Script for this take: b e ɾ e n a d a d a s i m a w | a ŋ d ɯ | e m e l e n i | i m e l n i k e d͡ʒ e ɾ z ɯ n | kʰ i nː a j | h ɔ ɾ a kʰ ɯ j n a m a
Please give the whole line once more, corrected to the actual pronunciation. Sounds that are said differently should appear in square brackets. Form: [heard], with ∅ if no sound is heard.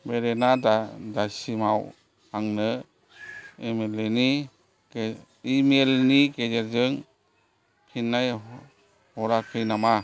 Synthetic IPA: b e ɾ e n a d a d a s i m a w | a ŋ [n] ɯ | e m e l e n i | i m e l n i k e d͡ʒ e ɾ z ɯ [ŋ] | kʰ i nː a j | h ɔ ɾ a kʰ ɯ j n a m a

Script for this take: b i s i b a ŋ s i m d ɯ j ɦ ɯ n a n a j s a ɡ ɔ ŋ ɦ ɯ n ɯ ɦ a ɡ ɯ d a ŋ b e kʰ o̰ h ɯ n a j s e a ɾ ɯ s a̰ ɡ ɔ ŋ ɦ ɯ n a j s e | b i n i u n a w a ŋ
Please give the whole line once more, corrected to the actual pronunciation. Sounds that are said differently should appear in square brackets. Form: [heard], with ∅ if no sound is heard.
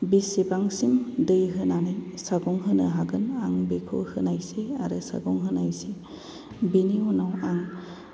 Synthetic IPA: b i s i b a ŋ s i m d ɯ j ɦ ɯ n a n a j s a ɡ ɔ ŋ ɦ ɯ n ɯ ɦ a ɡ ɯ [n] a ŋ b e kʰ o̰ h ɯ n a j s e a ɾ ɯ s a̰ ɡ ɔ ŋ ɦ ɯ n a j s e | b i n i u n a w a ŋ

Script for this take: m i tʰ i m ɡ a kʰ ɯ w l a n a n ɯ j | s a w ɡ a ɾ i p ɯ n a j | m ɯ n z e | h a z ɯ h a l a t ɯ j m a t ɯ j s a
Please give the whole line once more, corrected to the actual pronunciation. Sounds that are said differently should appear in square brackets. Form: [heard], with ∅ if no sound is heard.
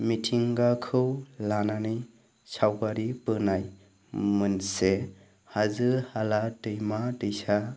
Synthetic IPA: m i tʰ i [ŋ] ɡ a kʰ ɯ w l a n a n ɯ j | s a w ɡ a ɾ i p ɯ n a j | m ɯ n [s] e | h a z ɯ h a l a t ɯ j m a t ɯ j s a

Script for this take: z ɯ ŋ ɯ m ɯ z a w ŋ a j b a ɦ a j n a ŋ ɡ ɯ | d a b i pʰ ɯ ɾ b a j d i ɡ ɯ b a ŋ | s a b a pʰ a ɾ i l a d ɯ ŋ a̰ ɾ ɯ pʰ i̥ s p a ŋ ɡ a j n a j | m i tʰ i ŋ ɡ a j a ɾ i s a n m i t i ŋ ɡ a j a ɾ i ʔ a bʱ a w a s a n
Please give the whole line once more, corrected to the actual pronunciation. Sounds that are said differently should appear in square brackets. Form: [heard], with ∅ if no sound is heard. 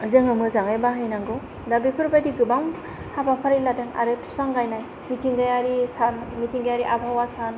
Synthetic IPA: z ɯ ŋ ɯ m ɯ z a [∅] ŋ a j b a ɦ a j n a ŋ ɡ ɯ | d a b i pʰ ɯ ɾ b a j d i ɡ ɯ b a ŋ | [h] a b a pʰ a ɾ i l a d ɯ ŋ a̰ ɾ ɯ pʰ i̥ s p a ŋ ɡ a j n a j | m i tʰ i ŋ ɡ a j a ɾ i s a n m i t i ŋ ɡ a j a ɾ i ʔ a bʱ a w a s a n

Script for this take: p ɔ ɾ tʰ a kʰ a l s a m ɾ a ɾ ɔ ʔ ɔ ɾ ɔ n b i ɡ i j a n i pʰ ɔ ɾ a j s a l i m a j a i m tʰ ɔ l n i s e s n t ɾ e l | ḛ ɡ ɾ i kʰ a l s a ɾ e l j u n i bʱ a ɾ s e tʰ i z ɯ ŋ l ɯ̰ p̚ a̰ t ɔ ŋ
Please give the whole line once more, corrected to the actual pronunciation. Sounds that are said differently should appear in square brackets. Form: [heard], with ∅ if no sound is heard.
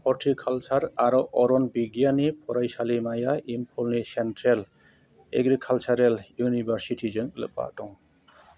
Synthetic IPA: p ɔ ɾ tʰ [i] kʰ a l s a [∅] ɾ a ɾ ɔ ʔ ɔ ɾ ɔ n b i ɡ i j a n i pʰ ɔ ɾ a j s a l i m a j a i m [pʰ] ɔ l n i s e [∅] n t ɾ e l | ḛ ɡ ɾ i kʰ a l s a ɾ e l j u n i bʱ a ɾ s [i] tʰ i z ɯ ŋ l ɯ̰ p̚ a̰ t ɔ ŋ

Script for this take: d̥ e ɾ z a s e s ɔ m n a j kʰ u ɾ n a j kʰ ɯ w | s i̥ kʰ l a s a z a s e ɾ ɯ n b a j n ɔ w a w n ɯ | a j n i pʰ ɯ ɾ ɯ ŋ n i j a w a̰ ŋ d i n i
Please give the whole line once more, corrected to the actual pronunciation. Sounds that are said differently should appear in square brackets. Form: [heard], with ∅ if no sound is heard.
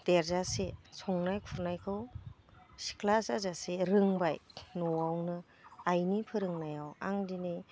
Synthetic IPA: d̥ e ɾ z a s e s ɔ [ŋ] n a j kʰ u ɾ n a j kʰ ɯ w | s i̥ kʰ l a s a z a s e ɾ ɯ [ŋ] b a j n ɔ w a w n ɯ | a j n i pʰ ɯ ɾ ɯ ŋ n [a] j a w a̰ ŋ d i n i

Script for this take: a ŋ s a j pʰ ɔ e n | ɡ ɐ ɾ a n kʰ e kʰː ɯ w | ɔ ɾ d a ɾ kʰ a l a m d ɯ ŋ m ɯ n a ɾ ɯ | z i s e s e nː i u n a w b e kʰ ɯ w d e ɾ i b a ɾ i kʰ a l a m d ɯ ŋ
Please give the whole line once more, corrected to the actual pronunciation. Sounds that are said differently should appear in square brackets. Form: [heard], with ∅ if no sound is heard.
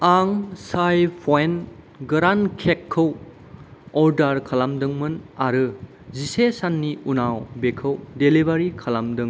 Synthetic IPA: a ŋ s a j pʰ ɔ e n | ɡ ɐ ɾ a n kʰ e kʰː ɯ w | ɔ ɾ d a ɾ kʰ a l a m d ɯ ŋ m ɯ n a ɾ ɯ | z i s e s [a] nː i u n a w b e kʰ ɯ w d e [l] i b a ɾ i kʰ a l a m d ɯ ŋ

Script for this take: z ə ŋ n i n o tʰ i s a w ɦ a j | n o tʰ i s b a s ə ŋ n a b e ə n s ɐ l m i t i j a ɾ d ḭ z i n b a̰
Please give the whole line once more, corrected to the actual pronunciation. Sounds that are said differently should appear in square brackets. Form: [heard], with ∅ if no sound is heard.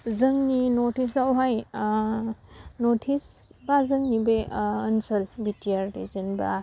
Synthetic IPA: z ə ŋ n i n o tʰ i s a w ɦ a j | n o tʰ i s b a [z] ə ŋ n [i] b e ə n s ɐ l [b] i t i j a ɾ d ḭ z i n b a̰

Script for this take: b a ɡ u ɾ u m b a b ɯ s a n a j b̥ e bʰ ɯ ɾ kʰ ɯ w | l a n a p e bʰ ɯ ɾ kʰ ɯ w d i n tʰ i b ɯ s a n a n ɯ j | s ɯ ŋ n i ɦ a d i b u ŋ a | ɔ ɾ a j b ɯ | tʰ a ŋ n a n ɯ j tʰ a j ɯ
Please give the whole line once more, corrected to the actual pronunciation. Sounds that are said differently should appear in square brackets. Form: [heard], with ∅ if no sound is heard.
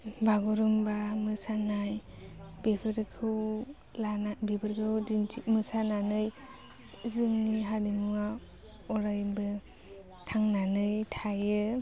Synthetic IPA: b a ɡ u ɾ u m b a [m] ɯ s a n a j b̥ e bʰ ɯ ɾ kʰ ɯ w | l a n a [b] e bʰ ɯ ɾ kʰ ɯ w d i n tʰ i [m] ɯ s a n a n ɯ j | [z] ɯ ŋ n i ɦ a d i [m] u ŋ a | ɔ ɾ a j b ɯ | tʰ a ŋ n a n ɯ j tʰ a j ɯ

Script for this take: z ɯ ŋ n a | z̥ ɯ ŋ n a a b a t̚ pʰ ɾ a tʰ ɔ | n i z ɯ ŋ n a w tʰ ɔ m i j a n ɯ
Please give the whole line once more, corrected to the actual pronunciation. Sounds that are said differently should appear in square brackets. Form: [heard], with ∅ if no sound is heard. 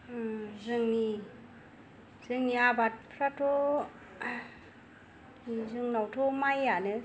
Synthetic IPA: z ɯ ŋ n [i] | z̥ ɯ ŋ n [i] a b a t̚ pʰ ɾ a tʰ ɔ | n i z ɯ ŋ n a w tʰ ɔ m [a] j a n ɯ

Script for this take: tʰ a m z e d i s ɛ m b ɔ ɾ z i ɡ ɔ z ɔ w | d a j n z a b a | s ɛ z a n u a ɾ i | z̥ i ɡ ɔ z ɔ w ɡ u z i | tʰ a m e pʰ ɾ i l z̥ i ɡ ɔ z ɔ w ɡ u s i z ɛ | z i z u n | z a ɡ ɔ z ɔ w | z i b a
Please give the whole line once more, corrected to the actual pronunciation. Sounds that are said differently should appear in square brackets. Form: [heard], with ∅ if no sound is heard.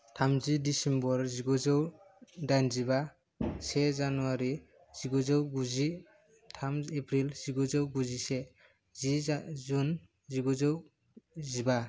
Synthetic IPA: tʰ a m z [i] d i s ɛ m b ɔ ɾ z i ɡ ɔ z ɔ w | d a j n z [i] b a | s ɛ z a n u a ɾ i | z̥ i ɡ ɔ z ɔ w ɡ u z i | tʰ a m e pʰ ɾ i l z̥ i ɡ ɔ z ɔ w ɡ u [z] i [s] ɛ | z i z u n | z [i] ɡ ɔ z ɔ w | z i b a

